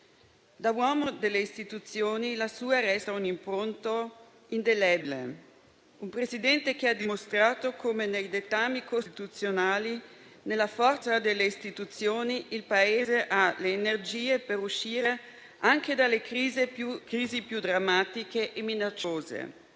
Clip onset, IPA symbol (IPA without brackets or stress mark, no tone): d̪